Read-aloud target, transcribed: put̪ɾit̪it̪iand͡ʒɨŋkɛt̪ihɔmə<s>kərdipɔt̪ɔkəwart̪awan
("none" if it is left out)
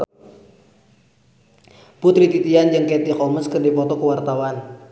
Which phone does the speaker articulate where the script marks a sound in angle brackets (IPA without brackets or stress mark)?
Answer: s